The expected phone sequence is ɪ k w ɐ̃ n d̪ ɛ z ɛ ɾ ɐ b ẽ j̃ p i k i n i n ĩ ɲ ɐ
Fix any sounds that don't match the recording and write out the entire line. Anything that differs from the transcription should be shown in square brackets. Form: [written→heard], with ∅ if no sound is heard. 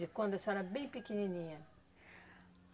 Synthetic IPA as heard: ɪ k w ɐ̃ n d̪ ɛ [z→s] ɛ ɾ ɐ b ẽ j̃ p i k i n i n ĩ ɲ ɐ